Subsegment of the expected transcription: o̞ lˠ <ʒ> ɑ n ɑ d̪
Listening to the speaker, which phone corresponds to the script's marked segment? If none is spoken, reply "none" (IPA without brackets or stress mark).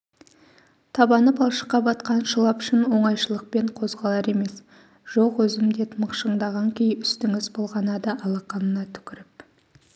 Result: ʁ